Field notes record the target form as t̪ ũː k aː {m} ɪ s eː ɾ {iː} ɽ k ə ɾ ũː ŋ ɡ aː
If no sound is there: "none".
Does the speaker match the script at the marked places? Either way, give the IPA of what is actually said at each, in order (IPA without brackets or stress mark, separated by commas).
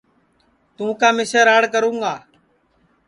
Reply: m, aː